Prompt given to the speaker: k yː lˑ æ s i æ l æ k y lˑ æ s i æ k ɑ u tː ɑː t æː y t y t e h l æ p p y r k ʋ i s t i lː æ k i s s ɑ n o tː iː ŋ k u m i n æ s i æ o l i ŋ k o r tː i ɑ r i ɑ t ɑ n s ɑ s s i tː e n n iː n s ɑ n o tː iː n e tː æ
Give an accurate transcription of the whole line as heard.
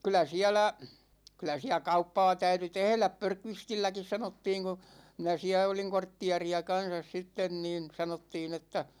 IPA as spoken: k y lˑ æ s i æ l æ k y lˑ æ s i æ k ɑ u pː ɑː t æ y t y t e h l æ p p ø r k ʋ i s t i lː æ k i s s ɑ n o tː iː ŋ k u m i n æ s i æ o l i ŋ k o r tː i ɑ r i ɑ k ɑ n s ɑ s s i tː e n n iː n s ɑ n o tː iː n e tː æ